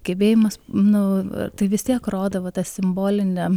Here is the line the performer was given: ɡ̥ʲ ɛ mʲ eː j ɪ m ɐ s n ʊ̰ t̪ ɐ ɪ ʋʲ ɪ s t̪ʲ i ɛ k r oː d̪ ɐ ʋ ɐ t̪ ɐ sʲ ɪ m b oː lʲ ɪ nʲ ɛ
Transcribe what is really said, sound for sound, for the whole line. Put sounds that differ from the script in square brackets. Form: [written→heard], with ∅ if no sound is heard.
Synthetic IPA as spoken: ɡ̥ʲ ɛ [mʲ→bʲ] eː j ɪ m ɐ s n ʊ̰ t̪ ɐ ɪ ʋʲ ɪ s t̪ʲ i ɛ k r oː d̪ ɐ ʋ ɐ t̪ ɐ sʲ ɪ m b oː lʲ ɪ nʲ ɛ